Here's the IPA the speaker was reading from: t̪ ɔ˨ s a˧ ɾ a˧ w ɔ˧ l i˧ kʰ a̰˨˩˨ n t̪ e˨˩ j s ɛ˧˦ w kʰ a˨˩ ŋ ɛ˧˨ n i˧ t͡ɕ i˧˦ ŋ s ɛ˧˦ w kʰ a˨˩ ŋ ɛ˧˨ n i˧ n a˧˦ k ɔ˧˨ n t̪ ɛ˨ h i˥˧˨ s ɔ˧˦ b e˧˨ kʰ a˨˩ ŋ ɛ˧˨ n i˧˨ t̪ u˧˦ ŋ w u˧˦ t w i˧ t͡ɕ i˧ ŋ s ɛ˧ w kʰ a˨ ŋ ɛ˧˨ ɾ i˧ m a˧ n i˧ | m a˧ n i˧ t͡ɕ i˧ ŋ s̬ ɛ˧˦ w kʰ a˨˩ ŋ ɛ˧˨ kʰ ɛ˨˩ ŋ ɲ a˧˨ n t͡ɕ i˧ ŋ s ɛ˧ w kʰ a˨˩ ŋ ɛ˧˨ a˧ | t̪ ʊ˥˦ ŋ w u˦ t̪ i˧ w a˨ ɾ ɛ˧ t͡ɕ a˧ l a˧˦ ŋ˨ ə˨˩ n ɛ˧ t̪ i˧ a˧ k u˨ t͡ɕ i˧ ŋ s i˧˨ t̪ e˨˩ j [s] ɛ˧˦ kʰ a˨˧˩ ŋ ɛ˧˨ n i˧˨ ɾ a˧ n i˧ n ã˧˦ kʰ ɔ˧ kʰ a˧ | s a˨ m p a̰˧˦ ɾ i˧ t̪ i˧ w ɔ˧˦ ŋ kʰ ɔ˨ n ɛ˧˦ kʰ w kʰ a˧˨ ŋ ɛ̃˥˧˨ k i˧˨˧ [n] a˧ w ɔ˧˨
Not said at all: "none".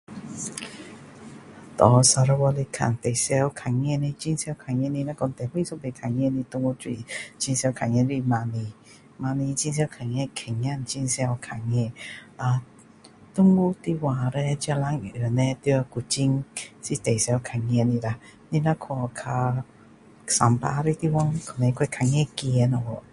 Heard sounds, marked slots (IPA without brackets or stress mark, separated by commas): s, n